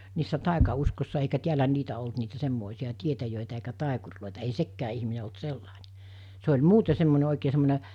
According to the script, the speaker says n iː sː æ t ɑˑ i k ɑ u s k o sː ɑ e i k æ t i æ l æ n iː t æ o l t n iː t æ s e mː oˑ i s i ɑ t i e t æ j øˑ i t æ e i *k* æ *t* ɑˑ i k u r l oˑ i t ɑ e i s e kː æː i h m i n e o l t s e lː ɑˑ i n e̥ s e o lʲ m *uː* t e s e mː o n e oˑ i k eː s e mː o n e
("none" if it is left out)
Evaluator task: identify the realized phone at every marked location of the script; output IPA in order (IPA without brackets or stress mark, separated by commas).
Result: k, t, uː